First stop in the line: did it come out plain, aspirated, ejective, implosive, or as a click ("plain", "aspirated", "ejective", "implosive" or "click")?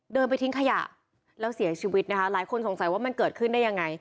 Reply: plain